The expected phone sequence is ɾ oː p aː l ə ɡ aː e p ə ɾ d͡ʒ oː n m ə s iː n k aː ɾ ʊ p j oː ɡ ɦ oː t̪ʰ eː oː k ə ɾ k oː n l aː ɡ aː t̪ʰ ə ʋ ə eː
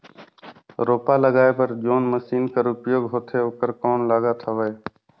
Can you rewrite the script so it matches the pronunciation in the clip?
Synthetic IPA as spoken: ɾ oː p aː l ə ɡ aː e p ə ɾ d͡ʒ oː n m ə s iː n k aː ɾ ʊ p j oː ɡ ɦ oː t̪ʰ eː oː k ə ɾ k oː n l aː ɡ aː t̪ʰ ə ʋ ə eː